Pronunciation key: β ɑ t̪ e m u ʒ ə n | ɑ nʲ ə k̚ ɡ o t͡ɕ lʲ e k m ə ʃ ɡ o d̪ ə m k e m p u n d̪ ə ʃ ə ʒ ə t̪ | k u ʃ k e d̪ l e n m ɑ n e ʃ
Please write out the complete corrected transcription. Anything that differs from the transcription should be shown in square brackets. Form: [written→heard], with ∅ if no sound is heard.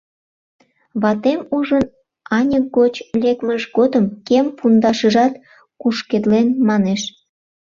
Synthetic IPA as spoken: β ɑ t̪ e m u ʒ ə n | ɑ nʲ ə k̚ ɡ o t͡ɕ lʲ e k m ə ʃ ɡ o d̪ ə m k e m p u n d̪ [ə→ɑ] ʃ ə ʒ [ə→ɑ] t̪ | k u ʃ k e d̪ l e n m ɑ n e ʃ